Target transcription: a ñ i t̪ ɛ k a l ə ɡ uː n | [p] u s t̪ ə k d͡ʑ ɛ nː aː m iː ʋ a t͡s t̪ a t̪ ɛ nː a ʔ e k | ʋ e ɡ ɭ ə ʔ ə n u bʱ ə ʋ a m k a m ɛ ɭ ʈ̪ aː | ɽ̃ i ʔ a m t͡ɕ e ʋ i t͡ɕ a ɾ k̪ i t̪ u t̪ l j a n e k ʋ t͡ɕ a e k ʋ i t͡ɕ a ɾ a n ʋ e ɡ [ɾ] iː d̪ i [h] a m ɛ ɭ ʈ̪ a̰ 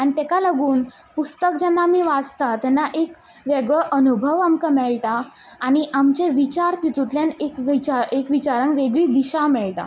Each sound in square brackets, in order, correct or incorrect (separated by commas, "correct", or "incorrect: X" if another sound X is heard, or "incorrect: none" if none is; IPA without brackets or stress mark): correct, incorrect: ɭ, incorrect: ɕ